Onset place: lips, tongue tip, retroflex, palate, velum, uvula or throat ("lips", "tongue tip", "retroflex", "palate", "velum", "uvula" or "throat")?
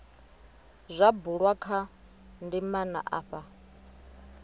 tongue tip